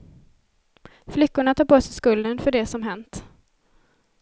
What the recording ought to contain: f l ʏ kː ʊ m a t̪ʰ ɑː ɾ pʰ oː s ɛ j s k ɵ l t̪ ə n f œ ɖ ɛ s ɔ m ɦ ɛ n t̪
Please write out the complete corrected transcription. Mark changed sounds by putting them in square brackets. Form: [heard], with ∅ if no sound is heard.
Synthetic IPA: f l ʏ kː ʊ [ɳ] a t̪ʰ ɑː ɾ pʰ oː s ɛ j s k ɵ l [d̪] ə n f œ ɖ ɛ s ɔ m ɦ ɛ n t̪